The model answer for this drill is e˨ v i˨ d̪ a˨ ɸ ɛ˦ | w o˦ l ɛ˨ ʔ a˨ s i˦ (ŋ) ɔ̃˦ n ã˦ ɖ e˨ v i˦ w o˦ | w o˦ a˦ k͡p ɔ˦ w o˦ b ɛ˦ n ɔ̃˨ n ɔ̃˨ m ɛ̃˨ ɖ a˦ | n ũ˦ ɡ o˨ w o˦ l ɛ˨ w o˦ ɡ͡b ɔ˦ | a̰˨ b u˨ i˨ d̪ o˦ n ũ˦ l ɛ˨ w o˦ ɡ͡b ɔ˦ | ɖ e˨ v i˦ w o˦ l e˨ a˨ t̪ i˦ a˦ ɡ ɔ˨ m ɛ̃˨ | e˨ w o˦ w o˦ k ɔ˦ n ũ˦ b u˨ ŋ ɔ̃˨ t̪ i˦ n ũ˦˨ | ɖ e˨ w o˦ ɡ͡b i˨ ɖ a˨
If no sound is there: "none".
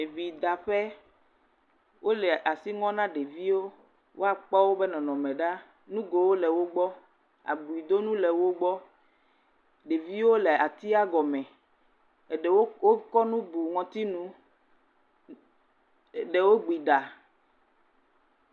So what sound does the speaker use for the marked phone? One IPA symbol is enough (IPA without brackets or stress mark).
ŋ